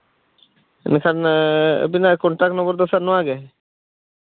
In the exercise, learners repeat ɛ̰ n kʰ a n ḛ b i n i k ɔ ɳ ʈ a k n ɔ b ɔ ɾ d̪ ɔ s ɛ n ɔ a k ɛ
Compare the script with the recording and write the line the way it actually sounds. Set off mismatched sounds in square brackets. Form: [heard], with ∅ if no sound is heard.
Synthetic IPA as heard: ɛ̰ n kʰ a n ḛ b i n [a] k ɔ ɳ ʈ a k n ɔ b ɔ ɾ d̪ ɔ s [a] n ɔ a [ɡ] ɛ